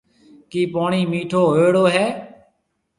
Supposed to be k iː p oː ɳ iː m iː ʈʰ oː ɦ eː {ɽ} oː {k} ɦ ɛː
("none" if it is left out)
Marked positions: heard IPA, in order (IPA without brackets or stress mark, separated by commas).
ɽ, none